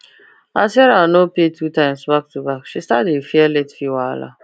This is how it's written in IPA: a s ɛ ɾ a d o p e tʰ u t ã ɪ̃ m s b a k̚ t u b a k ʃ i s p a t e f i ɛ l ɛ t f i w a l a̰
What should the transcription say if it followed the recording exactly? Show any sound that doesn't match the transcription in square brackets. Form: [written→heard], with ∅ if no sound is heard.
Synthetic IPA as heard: a s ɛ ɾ a [d→n] o p e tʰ u t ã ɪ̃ m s b a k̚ t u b a k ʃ i s [p→t] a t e f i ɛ l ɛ t f i w a l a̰